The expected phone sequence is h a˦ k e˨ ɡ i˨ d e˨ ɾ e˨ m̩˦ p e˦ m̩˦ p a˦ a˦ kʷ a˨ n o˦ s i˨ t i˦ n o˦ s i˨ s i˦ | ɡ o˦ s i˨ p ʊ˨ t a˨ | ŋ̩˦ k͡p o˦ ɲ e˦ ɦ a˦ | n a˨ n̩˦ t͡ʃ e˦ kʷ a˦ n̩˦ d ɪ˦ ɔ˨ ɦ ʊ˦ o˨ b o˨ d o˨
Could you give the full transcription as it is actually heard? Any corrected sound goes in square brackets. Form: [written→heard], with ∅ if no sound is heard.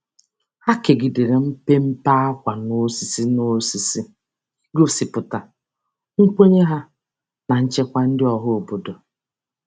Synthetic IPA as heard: h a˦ k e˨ ɡ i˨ d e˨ ɾ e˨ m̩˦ p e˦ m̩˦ p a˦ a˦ kʷ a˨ n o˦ s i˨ [t→s] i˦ n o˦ s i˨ s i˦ | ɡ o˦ s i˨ p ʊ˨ t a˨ | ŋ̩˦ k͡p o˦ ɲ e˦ ɦ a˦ | n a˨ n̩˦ t͡ʃ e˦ kʷ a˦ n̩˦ d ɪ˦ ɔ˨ ɦ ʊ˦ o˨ b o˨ d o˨